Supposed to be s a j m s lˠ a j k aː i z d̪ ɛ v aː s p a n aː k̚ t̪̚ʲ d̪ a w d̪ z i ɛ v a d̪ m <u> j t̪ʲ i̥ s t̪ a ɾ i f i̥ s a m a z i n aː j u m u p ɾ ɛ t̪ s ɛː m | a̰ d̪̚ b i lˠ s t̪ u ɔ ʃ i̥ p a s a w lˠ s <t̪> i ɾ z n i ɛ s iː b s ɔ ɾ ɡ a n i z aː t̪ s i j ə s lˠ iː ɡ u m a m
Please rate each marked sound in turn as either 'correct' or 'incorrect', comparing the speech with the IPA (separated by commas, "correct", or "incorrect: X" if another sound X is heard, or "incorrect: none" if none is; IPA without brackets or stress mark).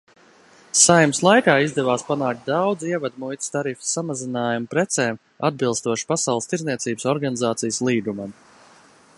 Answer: correct, correct